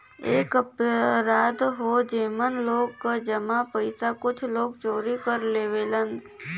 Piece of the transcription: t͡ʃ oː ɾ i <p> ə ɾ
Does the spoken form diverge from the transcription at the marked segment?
yes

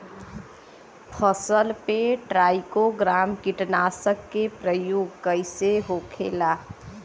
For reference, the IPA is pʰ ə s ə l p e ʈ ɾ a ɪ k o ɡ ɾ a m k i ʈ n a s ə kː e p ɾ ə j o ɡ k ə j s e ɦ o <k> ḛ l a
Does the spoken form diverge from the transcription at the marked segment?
yes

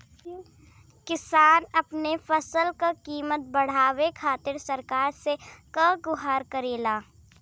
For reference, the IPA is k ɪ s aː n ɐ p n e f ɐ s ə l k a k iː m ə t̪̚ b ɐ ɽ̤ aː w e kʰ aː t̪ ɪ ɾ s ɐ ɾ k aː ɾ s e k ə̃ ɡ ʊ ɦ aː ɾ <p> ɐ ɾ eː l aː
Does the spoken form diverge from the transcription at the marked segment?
yes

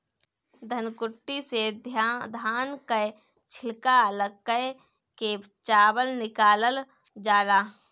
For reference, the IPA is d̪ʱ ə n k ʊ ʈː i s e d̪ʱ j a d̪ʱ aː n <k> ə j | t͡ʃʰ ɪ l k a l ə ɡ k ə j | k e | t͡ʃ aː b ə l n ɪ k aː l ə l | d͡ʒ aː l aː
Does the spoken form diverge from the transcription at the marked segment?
no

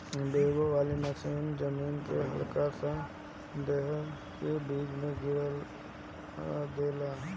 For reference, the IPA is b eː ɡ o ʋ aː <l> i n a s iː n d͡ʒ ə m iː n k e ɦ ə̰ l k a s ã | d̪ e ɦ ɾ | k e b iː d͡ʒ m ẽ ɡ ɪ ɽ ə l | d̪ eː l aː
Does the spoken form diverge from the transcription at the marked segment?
no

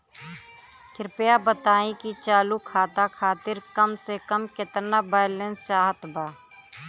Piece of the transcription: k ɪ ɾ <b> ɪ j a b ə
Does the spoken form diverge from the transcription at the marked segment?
yes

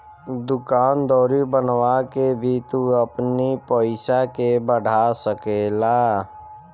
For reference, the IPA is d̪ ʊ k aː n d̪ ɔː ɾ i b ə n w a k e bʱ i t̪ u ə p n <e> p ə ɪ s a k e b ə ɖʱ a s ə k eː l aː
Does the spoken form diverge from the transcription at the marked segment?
yes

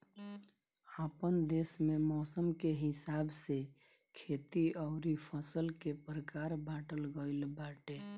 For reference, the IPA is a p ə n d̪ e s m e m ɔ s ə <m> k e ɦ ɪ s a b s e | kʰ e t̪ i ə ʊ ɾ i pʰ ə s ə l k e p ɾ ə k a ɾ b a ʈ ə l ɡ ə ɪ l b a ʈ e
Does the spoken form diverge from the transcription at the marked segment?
no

